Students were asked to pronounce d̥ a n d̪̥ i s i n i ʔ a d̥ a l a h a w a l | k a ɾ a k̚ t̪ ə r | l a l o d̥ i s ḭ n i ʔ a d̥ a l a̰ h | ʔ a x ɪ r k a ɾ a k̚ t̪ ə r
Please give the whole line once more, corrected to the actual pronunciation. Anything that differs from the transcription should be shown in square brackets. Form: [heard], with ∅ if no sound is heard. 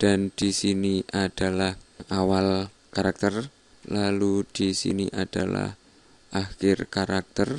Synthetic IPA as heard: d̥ a n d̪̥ i s i n i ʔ a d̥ a l a h a w a l | k a ɾ a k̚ t̪ ə r | l a l [u] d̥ i s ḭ n i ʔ a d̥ a l a̰ h | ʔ a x ɪ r k a ɾ a k̚ t̪ ə r